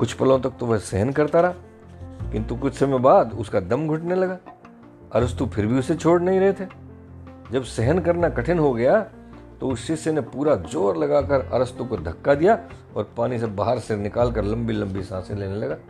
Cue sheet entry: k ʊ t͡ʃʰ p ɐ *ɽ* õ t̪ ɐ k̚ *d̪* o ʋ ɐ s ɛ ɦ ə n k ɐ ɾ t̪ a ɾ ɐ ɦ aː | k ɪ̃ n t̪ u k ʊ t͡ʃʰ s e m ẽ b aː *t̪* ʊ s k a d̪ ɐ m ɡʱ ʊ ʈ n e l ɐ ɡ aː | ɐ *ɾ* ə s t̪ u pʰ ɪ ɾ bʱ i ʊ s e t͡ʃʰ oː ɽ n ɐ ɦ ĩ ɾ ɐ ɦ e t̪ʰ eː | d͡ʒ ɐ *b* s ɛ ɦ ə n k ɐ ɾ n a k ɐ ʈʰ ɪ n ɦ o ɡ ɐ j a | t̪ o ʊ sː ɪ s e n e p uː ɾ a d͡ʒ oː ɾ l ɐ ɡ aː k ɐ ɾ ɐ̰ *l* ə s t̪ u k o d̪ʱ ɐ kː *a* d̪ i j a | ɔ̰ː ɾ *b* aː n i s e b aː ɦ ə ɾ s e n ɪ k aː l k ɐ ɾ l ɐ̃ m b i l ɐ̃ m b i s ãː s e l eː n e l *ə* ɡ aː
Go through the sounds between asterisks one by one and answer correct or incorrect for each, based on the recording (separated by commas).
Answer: incorrect, incorrect, incorrect, correct, correct, incorrect, correct, incorrect, incorrect